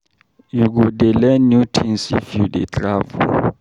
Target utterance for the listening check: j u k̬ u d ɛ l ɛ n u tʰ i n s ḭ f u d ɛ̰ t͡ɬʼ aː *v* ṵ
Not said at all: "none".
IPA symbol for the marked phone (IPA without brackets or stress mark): v